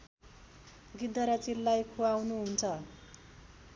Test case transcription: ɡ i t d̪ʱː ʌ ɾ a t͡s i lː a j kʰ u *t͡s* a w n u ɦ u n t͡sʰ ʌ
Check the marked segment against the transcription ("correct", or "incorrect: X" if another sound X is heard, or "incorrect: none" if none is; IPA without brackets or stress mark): incorrect: none